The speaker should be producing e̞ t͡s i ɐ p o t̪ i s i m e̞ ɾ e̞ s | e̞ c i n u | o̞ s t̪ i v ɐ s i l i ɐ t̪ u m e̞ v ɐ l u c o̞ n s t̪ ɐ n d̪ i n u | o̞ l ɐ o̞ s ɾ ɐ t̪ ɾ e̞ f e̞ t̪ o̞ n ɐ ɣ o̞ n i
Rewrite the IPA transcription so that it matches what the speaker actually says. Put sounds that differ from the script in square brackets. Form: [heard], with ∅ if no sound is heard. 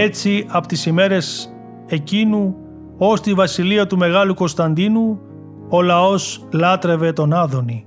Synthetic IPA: e̞ t͡s i ɐ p o t̪ i s i m e̞ ɾ e̞ s | e̞ c i n u | o̞ s t̪ i v ɐ s i l i ɐ t̪ u m e̞ [ɣ] ɐ l u [k] o̞ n s t̪ ɐ n d̪ i n u | o̞ l ɐ o̞ s [l] ɐ t̪ ɾ e̞ [v] e̞ t̪ o̞ n ɐ [ð] o̞ n i